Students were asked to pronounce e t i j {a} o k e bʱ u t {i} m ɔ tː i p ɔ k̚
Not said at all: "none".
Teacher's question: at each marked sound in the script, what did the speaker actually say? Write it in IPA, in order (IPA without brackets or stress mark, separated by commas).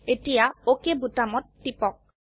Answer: a, a